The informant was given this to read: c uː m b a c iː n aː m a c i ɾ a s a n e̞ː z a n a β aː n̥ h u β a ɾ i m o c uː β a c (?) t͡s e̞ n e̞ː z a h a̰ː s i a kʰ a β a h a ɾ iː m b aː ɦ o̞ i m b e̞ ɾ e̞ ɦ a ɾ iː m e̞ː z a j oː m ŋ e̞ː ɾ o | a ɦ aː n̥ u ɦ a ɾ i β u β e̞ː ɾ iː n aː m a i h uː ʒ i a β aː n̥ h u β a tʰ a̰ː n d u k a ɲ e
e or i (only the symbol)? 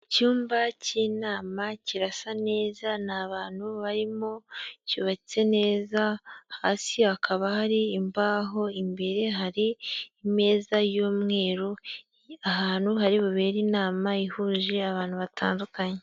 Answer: i